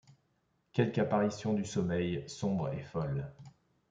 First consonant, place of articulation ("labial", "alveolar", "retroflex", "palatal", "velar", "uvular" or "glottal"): velar